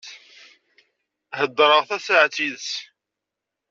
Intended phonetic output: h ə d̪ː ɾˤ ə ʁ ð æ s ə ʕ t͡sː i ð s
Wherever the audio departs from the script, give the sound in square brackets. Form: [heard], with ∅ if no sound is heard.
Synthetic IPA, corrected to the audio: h ə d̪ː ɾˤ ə ʁ [θ] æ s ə ʕ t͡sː i ð s